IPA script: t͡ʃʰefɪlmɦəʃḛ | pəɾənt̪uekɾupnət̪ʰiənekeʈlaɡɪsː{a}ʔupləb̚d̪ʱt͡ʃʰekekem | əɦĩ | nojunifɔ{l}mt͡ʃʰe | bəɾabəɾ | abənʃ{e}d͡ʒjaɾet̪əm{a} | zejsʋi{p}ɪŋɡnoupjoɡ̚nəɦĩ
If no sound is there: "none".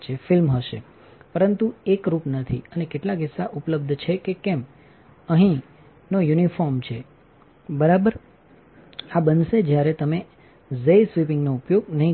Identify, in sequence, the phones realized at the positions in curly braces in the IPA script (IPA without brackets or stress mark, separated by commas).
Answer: a, ɾ, e, e, p